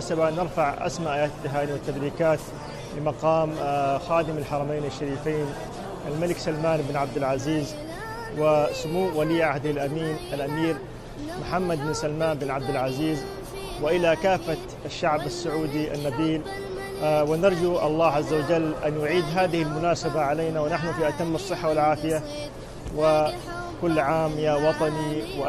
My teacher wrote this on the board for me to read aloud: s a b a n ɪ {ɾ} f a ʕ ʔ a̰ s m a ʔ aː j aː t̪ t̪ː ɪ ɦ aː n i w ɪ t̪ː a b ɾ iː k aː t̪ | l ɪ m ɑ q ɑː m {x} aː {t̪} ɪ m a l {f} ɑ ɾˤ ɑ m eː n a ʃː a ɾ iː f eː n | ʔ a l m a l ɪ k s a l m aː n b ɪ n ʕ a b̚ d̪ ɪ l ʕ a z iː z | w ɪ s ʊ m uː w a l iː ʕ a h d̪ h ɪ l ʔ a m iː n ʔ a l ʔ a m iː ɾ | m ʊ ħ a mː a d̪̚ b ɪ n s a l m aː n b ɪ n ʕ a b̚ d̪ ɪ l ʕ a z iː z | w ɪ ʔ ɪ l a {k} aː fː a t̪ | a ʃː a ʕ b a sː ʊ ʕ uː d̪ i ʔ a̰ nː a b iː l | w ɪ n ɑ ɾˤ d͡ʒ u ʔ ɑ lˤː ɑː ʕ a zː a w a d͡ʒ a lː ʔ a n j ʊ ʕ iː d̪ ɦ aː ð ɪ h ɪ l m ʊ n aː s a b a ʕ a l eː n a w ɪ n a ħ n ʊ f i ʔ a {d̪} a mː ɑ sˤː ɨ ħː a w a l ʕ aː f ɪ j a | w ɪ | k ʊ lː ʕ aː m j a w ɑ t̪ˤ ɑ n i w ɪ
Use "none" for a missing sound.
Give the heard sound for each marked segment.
ɾ, x, d̪, ħ, k, t̪

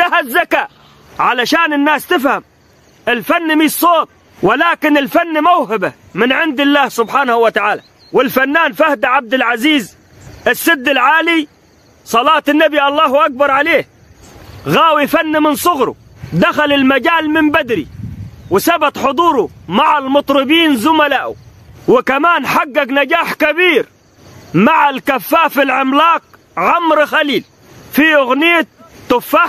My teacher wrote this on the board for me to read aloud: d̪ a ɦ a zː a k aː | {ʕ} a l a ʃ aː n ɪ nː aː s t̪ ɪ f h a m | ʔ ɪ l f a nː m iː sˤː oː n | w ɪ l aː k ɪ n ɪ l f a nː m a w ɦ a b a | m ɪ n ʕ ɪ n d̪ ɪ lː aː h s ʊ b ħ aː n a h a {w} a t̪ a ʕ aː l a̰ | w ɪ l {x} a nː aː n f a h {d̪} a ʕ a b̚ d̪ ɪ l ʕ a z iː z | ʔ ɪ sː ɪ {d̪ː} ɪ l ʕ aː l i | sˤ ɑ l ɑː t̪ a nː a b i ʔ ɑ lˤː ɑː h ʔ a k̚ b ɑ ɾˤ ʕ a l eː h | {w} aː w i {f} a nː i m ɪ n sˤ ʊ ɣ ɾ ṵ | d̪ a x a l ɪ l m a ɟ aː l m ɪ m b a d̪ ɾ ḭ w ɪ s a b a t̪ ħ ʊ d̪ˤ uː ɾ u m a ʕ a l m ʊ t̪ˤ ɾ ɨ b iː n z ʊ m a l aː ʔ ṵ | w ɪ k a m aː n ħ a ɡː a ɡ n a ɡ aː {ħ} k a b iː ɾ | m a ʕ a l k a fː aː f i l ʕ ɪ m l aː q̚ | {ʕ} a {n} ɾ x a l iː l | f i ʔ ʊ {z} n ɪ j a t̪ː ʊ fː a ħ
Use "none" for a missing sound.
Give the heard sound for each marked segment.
ʕ, w, f, d̪, d̪ː, ɣ, f, ħ, ʕ, m, ɣ

